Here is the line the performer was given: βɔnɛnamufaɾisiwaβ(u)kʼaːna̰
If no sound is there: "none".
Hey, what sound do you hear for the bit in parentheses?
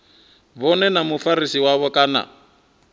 ɔ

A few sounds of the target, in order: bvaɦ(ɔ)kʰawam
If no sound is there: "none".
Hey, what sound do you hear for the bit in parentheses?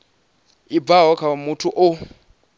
ɔ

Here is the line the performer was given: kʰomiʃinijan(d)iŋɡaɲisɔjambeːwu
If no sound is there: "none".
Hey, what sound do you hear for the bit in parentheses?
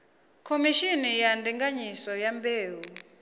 d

